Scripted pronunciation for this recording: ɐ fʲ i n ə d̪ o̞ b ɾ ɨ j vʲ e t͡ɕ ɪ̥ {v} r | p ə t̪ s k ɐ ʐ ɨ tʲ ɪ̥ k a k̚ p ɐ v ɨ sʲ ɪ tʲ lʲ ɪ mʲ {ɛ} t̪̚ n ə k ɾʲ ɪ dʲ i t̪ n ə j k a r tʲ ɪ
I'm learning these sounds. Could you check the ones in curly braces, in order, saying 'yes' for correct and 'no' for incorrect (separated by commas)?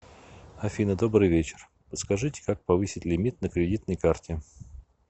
no, no